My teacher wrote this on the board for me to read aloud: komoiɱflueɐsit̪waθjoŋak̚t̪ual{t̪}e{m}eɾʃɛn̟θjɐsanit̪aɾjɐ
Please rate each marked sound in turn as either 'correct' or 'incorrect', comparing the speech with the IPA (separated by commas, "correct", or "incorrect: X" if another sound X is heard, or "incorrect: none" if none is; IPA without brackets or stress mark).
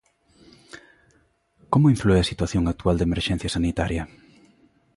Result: incorrect: d̪, correct